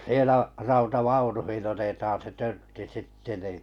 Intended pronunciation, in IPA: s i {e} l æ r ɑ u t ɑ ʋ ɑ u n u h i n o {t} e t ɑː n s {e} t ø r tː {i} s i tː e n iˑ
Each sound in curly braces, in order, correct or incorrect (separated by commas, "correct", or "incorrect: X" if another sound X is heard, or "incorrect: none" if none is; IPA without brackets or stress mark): correct, correct, correct, correct